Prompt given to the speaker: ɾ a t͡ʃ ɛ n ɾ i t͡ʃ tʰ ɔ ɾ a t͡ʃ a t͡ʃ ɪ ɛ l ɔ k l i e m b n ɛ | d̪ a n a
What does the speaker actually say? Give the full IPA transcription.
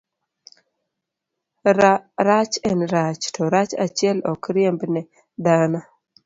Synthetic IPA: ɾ a t͡ʃ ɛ n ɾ a t͡ʃ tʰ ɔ ɾ a t͡ʃ a t͡ʃ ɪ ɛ l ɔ k ɾ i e m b n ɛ | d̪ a n a